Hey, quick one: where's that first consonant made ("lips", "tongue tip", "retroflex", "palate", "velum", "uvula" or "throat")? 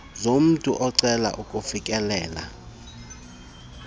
tongue tip